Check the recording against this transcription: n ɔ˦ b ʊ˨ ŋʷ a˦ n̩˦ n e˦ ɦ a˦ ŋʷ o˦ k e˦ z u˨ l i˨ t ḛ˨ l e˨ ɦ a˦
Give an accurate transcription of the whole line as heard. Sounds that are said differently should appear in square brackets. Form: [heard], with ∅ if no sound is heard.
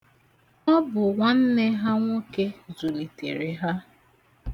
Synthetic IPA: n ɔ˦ b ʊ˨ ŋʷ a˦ n̩˦ n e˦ ɦ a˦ ŋʷ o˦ k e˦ z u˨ l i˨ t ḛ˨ [ɾ] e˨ ɦ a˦